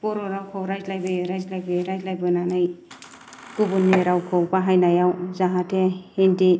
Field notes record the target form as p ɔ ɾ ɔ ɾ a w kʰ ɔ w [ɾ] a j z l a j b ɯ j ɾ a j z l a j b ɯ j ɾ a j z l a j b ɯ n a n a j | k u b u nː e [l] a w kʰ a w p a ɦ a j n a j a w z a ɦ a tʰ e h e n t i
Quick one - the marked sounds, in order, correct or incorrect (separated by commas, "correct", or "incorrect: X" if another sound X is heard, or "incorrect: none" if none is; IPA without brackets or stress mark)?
correct, incorrect: ɾ